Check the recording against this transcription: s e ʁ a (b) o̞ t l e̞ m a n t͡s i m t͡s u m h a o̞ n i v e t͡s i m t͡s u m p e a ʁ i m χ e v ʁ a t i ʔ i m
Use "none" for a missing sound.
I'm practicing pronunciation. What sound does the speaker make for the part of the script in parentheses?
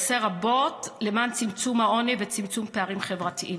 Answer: b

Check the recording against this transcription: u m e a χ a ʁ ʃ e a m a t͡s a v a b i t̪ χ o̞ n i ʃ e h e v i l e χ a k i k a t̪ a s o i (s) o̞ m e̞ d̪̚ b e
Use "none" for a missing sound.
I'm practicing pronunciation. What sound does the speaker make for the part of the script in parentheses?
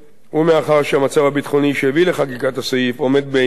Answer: f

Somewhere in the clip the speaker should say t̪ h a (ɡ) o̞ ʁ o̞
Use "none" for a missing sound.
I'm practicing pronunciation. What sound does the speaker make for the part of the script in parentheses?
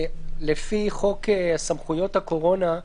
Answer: k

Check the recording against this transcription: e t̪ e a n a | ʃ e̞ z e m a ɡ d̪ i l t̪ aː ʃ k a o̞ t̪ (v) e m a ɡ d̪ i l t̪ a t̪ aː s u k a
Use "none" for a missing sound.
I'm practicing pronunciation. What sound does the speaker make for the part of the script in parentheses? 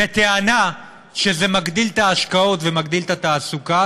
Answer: v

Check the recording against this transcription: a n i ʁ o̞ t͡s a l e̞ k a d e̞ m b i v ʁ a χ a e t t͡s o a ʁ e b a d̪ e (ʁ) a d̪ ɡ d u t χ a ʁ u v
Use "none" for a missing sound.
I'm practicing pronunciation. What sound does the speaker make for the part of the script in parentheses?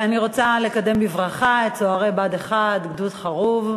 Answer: χ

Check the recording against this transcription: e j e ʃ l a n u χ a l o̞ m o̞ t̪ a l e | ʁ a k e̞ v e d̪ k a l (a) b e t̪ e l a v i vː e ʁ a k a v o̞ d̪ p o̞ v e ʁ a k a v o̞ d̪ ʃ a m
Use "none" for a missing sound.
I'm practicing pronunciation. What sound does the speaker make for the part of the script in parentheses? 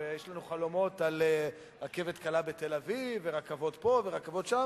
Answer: a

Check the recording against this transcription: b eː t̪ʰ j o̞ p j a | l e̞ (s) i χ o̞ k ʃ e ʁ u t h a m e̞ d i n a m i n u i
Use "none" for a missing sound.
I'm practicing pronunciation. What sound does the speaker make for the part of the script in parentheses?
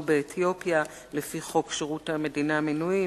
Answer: f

